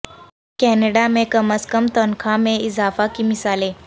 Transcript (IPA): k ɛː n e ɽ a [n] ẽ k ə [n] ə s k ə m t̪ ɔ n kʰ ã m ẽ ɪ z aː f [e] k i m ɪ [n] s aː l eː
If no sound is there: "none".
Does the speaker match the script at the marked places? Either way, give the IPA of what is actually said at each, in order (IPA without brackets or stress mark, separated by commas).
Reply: m, m, a, none